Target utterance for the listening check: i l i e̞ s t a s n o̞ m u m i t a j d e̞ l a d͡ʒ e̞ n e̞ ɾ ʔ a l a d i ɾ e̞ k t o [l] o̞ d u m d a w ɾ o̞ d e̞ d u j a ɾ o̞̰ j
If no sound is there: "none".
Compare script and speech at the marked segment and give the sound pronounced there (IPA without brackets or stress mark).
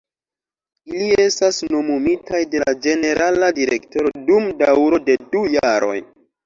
ɾ